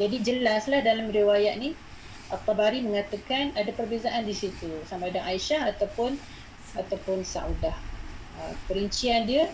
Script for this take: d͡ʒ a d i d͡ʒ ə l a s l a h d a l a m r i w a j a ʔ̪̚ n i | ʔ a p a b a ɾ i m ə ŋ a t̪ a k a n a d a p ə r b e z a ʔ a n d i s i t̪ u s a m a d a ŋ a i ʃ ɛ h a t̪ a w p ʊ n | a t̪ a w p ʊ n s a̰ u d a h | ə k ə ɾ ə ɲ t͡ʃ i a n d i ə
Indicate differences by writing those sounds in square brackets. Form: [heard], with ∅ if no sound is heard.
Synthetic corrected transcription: d͡ʒ a d i d͡ʒ ə l a s l a h d a l a m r i w a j a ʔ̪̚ n i | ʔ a p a b a ɾ i m ə ŋ a t̪ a k a n a d a p ə r b e z a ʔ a n d i s i t̪ u s a m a d a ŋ a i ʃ [a] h a t̪ a w p ʊ n | a t̪ a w p ʊ n s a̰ u d a h | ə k ə ɾ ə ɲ t͡ʃ i a n d i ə